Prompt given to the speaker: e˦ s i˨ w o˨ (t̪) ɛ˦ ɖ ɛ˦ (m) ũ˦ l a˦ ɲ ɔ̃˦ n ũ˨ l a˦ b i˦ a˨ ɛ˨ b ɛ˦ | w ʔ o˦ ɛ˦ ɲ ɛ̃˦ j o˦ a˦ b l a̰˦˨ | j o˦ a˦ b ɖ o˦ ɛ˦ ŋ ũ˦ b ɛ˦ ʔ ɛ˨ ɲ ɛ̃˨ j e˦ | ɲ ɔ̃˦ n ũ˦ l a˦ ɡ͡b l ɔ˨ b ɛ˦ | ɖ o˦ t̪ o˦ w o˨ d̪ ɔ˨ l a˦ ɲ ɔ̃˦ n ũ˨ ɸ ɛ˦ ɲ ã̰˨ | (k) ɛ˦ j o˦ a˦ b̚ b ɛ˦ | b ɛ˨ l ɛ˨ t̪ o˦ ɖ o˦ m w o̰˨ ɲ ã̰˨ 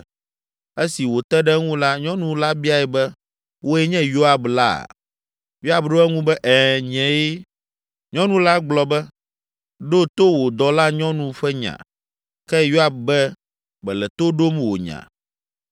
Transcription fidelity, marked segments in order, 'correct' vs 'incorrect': correct, incorrect: ŋ, correct

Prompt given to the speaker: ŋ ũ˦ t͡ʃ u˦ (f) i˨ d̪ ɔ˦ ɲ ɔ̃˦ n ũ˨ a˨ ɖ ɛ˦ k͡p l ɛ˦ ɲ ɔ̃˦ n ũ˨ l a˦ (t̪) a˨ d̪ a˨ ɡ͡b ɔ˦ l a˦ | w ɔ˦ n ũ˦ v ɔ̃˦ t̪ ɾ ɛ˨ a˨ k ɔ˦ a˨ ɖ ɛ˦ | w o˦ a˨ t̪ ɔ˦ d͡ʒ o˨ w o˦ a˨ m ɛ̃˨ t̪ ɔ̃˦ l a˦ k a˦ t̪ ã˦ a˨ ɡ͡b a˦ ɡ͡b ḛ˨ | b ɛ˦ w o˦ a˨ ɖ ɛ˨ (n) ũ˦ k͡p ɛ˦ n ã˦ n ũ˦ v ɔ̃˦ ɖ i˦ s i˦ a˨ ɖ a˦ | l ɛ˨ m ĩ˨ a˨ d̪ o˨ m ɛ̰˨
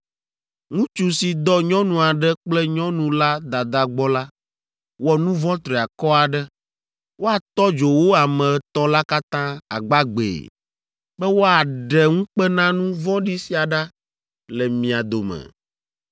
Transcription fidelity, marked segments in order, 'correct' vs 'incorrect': incorrect: s, incorrect: d̪, incorrect: ŋ

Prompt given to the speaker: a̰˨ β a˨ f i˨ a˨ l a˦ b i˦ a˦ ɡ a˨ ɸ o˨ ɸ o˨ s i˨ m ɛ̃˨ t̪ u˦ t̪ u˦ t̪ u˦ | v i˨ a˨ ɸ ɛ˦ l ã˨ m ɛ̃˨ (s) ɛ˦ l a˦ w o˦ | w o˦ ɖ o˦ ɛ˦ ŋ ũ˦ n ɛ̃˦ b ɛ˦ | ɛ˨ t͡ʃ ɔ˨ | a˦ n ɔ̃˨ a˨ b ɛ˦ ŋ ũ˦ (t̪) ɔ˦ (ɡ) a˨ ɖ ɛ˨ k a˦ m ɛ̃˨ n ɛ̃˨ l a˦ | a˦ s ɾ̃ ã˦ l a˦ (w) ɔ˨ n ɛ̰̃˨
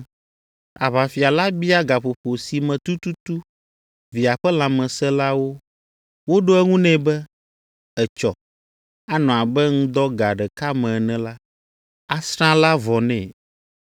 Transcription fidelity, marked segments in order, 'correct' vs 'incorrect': correct, incorrect: d̪, correct, incorrect: v

